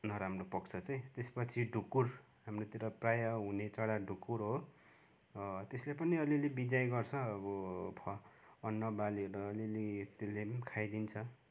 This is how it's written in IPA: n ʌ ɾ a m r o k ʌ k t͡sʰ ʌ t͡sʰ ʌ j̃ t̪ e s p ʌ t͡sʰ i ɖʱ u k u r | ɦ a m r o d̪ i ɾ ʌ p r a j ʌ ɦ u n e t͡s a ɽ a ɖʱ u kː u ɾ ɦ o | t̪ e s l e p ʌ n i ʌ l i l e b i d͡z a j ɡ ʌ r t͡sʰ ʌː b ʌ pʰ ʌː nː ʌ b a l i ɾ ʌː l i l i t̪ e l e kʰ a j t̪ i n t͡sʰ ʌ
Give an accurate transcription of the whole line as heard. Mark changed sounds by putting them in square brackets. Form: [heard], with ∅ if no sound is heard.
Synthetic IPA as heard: n ʌ ɾ a m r o [p] ʌ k t͡sʰ ʌ [t͡s] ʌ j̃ t̪ e s p ʌ t͡sʰ i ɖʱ u k u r | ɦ a m r o [t̪] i ɾ ʌ p r a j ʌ ɦ u n e t͡s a ɽ a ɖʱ u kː u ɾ ɦ o | t̪ e s l e p ʌ n i ʌ l i l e b i d͡z a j ɡ ʌ r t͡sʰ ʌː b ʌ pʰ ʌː nː ʌ b a l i ɾ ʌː l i l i t̪ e l e kʰ a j [d̪] i n t͡sʰ ʌ

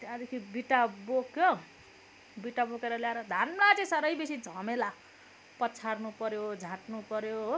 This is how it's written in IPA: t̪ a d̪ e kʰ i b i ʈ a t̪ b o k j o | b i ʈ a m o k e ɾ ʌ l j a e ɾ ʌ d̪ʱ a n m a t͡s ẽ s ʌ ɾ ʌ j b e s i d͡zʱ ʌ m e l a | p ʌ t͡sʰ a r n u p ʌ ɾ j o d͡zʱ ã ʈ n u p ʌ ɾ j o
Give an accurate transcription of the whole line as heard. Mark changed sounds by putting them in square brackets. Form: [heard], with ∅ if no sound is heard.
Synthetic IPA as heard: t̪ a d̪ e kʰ i b i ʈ a [∅] b o k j o | b i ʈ a [b] o k e ɾ ʌ l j a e ɾ ʌ d̪ʱ a n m a t͡s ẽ s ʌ ɾ ʌ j b e s i d͡zʱ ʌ m e l a | p ʌ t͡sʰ a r n u p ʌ ɾ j o d͡zʱ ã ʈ n u p ʌ ɾ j o

